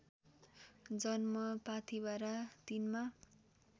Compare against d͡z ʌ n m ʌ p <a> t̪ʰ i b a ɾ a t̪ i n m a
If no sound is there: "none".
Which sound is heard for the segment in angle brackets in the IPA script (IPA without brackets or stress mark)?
a